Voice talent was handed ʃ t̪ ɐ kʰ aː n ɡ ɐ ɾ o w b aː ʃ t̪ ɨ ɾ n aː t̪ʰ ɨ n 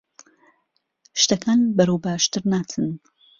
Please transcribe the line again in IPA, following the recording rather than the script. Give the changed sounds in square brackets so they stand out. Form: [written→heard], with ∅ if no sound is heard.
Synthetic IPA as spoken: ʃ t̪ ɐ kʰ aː n [ɡ→b] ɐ ɾ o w b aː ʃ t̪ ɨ ɾ n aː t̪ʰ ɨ n